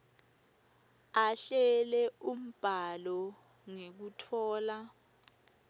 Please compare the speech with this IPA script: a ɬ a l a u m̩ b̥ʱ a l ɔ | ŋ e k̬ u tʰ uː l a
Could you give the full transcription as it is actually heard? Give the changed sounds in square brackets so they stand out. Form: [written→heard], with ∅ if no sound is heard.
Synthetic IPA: a ɬ [a→ɛ] l [a→ɛ] u m̩ b̥ʱ a l ɔ | ŋ e k̬ u tʰ [uː→ɔː] l a